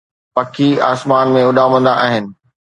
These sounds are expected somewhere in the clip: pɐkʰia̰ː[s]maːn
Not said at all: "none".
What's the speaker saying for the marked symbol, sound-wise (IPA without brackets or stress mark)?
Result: s